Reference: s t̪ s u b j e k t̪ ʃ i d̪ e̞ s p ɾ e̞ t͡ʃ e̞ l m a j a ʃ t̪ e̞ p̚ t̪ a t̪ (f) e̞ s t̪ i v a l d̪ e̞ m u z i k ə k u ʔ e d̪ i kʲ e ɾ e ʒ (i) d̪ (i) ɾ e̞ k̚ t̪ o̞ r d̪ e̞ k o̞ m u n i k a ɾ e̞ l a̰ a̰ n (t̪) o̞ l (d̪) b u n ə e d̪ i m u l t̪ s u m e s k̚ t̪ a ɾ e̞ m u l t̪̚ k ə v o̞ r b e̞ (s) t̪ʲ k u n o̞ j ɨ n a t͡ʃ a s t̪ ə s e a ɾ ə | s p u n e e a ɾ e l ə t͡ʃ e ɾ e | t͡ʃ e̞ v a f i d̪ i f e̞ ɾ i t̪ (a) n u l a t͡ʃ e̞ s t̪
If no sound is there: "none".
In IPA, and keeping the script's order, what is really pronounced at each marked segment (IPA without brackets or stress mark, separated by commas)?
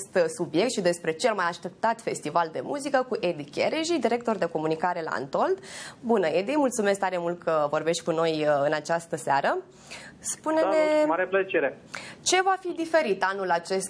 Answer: f, i, i, t̪, d̪, ʃ, a